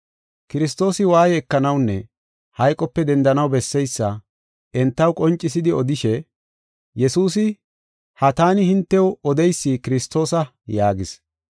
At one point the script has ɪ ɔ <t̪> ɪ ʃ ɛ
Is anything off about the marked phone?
yes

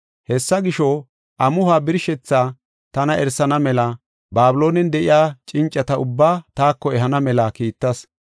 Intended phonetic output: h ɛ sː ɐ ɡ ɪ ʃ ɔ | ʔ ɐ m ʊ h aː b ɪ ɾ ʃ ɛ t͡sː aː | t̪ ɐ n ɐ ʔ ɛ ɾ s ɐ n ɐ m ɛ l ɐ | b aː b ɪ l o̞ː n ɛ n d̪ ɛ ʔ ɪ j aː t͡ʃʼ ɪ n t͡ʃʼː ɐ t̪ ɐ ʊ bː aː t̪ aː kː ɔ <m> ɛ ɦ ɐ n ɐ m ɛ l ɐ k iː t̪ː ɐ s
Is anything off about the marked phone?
yes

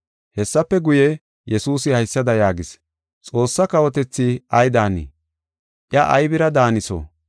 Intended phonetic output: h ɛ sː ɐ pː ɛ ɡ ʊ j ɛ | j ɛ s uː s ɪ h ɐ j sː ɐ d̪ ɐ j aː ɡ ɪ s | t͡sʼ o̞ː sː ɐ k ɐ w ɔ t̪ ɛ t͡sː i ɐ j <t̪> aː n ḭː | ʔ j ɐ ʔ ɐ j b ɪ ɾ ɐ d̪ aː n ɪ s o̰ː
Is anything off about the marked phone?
yes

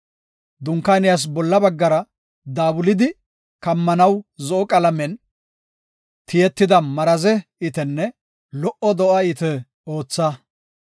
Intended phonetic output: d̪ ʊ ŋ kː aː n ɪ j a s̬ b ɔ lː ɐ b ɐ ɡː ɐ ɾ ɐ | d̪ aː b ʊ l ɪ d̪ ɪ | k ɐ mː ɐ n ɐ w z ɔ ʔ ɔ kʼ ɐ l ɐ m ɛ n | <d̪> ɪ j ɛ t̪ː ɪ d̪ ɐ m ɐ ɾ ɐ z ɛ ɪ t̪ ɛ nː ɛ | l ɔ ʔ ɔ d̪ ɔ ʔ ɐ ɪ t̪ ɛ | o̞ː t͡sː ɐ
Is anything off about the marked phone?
yes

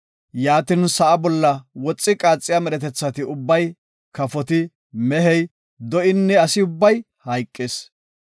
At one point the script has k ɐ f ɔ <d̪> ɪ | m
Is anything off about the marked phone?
yes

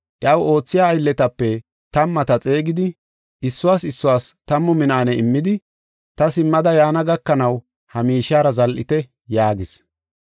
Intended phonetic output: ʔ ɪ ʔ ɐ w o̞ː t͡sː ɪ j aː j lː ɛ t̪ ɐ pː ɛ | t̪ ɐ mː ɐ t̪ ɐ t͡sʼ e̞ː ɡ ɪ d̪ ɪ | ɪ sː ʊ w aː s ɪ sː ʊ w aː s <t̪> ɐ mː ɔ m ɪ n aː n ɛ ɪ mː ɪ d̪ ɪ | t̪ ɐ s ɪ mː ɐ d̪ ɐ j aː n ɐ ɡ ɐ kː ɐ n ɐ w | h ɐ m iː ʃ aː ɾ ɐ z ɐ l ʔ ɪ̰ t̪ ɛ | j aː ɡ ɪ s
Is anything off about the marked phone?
no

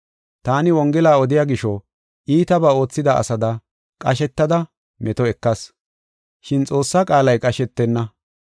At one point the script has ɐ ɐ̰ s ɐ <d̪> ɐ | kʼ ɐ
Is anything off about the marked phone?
no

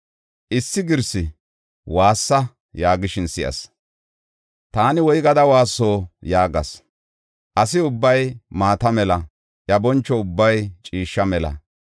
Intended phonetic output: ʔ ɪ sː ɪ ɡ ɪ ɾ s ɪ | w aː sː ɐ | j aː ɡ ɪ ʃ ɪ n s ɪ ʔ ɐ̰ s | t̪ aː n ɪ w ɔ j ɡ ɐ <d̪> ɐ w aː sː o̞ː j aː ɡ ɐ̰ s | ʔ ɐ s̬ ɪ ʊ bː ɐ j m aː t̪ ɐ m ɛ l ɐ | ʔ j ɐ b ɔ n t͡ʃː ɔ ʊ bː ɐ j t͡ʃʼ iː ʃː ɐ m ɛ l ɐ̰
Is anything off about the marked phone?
no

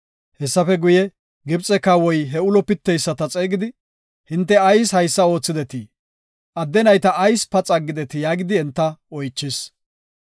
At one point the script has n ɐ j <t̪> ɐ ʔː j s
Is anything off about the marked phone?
no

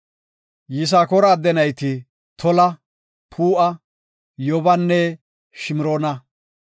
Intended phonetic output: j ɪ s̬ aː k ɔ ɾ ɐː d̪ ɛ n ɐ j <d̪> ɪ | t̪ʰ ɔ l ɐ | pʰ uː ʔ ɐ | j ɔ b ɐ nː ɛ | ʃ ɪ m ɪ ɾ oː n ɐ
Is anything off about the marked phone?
yes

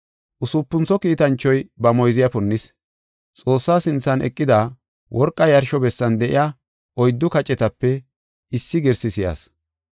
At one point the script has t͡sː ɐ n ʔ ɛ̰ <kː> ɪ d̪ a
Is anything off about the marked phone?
yes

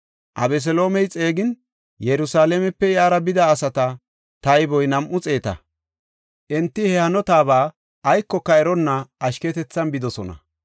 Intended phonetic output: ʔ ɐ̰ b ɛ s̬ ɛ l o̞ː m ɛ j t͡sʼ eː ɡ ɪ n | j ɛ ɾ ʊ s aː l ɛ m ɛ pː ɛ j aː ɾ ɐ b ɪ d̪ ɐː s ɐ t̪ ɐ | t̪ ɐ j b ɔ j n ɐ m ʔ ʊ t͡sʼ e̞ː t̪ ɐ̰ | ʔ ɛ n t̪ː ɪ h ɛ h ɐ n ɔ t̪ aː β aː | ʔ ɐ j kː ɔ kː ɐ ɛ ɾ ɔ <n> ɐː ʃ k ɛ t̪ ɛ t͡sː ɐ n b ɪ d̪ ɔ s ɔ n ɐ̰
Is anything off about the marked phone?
yes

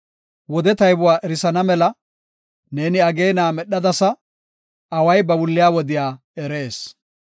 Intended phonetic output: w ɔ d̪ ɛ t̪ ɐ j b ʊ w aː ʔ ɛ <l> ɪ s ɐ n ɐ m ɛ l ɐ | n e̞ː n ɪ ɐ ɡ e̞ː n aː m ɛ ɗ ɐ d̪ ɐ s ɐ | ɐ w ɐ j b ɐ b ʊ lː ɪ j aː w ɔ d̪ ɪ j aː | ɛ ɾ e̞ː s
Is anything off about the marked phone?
yes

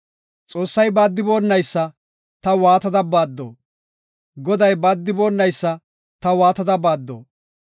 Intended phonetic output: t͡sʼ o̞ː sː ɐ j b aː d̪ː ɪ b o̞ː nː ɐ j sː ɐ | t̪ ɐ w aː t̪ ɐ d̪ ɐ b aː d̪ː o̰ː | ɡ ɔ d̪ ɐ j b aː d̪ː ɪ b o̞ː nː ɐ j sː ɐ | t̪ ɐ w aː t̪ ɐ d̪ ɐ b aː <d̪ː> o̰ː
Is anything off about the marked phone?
no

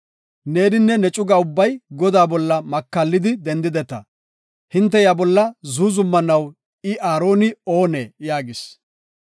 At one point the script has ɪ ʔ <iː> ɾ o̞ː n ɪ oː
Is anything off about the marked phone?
yes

